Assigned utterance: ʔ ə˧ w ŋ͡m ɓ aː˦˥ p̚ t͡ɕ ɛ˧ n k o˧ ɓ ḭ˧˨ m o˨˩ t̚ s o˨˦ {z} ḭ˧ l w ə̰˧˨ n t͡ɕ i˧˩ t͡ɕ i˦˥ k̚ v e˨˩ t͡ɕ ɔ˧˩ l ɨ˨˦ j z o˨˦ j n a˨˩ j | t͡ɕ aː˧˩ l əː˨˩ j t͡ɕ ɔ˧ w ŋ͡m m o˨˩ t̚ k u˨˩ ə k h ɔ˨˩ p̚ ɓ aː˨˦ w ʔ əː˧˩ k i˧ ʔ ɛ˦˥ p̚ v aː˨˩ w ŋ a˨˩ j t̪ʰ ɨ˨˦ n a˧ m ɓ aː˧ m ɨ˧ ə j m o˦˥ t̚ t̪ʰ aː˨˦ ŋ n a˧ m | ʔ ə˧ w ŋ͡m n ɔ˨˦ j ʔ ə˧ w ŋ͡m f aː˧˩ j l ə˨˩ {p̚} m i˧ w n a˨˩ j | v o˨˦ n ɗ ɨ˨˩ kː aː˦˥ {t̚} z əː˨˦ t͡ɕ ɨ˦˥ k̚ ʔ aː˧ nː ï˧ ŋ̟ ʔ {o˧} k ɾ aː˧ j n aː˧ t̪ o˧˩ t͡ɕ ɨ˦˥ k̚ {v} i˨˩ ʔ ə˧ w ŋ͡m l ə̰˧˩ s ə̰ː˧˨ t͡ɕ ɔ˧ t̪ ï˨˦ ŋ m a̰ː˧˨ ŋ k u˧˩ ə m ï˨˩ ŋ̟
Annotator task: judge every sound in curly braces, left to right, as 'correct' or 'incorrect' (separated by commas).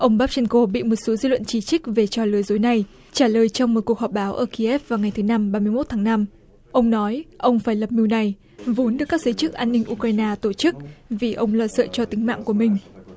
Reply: correct, correct, incorrect, incorrect, correct